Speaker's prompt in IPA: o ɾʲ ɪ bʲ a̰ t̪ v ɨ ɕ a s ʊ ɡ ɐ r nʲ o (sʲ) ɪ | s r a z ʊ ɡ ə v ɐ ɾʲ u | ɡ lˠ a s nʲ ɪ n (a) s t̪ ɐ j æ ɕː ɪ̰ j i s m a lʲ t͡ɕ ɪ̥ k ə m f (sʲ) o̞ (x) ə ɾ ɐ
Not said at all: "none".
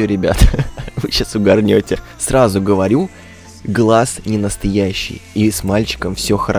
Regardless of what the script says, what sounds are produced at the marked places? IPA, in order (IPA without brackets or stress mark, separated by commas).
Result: tʲ, ə, sʲ, x